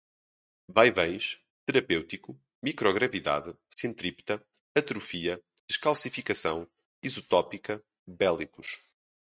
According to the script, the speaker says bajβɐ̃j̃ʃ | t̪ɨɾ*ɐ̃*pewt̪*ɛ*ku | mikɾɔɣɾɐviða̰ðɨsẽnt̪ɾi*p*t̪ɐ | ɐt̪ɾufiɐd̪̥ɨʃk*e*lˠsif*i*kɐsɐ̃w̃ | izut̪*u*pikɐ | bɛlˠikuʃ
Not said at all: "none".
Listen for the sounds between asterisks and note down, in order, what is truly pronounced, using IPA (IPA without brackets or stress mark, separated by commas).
ɐ, i, p, a, i, ɔ